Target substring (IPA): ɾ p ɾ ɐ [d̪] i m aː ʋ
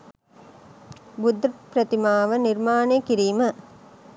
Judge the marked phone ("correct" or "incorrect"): incorrect